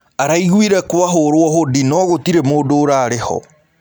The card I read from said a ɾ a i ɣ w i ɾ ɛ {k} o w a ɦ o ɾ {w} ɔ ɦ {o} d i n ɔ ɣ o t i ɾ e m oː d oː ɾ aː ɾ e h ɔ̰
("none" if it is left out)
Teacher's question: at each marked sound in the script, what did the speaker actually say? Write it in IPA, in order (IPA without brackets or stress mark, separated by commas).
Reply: k, w, o